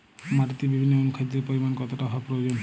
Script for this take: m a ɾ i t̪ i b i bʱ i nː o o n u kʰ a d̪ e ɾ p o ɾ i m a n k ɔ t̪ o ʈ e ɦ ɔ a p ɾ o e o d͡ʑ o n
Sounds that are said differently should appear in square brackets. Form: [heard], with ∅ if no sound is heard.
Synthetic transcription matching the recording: m a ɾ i t̪ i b i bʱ i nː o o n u kʰ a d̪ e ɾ p o ɾ i m a n k ɔ t̪ o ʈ [a] ɦ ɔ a p ɾ o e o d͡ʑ o n